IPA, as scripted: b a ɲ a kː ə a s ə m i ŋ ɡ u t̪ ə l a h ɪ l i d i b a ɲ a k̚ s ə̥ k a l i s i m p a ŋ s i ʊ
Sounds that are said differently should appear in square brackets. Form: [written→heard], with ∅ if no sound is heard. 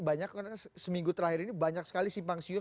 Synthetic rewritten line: b a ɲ a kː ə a s ə m i ŋ ɡ u t̪ ə [l→ɾ] a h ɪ [l→ɾ] i [d→n] i b a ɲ a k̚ s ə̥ k a l i s i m p a ŋ s i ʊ